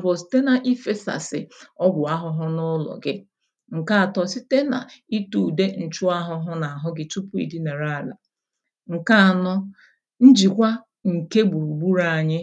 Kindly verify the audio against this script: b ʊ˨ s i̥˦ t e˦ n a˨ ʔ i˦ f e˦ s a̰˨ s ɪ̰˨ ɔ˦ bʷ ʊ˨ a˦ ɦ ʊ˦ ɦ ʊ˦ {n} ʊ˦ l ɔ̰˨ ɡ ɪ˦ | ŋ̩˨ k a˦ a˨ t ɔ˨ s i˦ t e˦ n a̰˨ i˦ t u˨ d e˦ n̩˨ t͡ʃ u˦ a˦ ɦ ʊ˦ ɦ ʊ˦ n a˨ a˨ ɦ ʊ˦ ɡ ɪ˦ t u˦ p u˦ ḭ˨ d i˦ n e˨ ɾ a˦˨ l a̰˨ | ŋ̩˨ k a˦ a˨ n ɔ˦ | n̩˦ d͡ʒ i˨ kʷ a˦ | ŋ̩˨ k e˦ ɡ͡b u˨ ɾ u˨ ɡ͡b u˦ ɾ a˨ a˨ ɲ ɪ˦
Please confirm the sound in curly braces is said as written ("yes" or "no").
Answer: yes